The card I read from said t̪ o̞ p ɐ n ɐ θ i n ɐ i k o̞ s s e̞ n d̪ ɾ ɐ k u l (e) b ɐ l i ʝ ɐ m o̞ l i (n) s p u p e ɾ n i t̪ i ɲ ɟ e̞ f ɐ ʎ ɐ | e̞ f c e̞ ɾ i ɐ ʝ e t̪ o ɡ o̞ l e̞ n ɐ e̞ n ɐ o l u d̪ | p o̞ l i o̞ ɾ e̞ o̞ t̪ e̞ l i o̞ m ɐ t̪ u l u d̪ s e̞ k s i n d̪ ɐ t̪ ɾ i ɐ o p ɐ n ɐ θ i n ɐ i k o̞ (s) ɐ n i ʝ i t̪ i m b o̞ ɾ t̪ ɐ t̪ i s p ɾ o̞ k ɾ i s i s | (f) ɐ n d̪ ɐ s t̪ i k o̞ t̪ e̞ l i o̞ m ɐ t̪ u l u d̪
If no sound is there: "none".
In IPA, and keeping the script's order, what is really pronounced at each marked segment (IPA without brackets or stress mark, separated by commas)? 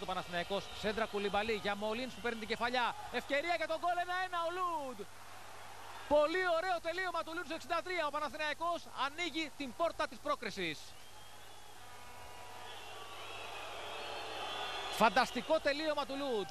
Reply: i, n, s, f